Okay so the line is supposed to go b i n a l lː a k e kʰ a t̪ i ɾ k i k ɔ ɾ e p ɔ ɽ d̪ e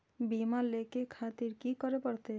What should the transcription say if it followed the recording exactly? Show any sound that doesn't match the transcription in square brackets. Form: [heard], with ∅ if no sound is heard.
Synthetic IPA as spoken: b i [m] a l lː [e] k e kʰ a t̪ i ɾ k i k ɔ ɾ e p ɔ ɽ [t̪] e